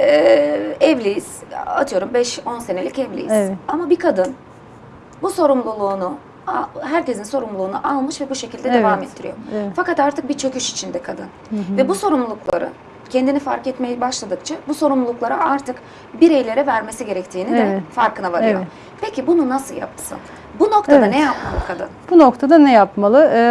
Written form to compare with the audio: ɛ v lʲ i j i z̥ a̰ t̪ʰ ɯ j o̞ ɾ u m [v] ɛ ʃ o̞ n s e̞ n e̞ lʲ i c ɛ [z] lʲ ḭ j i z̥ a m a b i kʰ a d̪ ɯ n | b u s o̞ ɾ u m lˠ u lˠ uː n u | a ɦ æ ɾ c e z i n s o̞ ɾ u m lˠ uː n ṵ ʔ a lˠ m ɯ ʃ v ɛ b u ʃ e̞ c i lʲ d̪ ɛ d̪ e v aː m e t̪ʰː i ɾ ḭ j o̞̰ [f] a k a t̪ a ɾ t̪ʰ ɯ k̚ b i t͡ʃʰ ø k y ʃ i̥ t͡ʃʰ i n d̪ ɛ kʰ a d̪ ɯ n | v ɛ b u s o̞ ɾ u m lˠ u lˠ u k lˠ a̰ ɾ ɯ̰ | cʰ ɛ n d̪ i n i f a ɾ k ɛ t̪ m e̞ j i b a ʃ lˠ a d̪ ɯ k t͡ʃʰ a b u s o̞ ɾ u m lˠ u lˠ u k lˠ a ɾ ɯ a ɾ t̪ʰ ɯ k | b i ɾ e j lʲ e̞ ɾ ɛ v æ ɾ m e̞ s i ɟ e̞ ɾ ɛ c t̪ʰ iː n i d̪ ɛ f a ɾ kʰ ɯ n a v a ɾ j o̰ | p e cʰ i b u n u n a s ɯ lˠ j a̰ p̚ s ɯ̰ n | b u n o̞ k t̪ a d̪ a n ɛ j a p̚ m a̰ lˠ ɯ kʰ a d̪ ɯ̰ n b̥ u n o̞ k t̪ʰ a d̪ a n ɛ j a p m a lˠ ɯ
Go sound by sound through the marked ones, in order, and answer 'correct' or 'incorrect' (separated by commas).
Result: incorrect, incorrect, correct